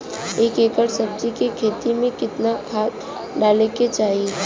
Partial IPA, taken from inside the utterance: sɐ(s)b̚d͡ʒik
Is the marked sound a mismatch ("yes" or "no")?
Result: yes